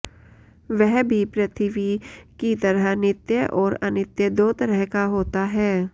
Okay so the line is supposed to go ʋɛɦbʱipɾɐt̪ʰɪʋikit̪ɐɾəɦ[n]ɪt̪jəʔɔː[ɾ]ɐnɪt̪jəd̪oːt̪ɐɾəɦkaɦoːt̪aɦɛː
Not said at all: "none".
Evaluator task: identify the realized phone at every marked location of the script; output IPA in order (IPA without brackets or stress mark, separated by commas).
n, ɾ